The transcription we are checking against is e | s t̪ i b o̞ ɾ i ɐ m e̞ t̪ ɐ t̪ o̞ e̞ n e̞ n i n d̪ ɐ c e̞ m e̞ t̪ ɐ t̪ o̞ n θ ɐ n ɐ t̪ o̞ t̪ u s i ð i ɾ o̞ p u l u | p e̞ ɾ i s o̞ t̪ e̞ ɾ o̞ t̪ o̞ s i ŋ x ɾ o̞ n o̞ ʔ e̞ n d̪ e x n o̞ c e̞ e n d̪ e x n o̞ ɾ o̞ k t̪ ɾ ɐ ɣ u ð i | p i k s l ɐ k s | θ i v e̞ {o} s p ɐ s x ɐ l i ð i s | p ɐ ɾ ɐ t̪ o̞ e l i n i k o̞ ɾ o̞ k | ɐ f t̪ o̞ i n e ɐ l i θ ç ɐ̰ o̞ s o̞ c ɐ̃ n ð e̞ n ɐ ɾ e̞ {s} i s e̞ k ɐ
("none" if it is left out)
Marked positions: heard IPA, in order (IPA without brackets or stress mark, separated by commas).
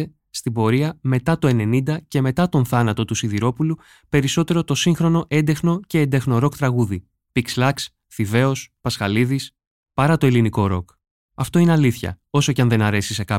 o, s